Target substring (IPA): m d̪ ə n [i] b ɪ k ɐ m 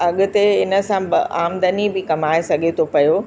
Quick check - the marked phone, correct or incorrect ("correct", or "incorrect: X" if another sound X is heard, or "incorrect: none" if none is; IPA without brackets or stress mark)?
correct